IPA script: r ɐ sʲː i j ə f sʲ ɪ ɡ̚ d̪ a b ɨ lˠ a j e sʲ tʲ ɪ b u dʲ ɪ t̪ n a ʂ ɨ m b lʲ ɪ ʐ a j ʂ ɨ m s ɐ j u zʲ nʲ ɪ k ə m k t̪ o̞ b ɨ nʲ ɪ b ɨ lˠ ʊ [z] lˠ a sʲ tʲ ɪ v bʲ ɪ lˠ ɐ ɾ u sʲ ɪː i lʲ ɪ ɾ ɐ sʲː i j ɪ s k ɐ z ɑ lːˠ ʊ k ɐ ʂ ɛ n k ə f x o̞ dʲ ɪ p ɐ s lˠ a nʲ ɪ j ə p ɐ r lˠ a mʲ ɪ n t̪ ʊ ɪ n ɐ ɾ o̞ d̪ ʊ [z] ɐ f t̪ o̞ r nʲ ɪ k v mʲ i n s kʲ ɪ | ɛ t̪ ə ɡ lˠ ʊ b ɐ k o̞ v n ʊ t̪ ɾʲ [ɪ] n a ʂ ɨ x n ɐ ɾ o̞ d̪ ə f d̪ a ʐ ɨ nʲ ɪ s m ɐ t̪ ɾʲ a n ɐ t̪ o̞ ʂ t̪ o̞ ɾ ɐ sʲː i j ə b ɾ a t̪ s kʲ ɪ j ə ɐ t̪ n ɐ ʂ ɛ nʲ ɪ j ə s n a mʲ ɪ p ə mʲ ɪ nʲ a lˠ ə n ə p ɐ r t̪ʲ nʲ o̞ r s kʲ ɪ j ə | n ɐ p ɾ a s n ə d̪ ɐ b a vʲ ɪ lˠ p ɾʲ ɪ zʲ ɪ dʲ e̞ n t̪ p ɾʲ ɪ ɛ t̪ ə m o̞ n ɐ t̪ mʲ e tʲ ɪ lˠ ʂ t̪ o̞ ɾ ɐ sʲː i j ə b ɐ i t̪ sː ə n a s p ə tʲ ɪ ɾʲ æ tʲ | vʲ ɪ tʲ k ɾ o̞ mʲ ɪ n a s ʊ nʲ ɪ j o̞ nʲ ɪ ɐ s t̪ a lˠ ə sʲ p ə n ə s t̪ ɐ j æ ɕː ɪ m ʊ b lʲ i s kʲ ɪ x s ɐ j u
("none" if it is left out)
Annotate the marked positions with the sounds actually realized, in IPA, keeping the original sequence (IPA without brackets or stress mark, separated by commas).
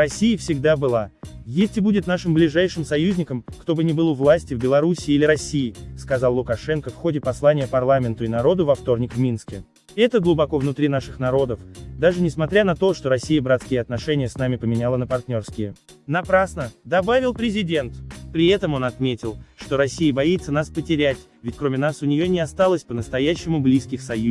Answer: v, v, i